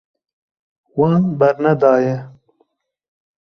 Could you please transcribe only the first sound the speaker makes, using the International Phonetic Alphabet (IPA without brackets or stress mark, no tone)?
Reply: w